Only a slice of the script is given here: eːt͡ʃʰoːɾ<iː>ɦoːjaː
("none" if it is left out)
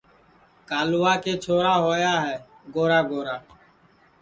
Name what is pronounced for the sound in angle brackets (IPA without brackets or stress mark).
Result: aː